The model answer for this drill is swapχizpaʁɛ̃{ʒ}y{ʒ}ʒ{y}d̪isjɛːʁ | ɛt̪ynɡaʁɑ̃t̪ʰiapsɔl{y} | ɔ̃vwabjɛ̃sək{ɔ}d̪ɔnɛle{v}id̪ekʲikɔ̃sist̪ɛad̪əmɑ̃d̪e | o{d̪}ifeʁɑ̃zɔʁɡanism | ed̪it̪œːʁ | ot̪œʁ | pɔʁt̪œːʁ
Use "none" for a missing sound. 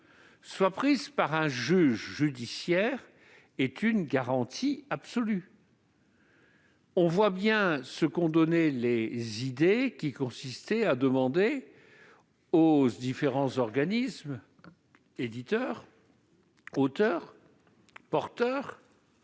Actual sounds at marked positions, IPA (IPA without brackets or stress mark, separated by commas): ʒ, ʒ, y, y, ɔ̃, z, d̪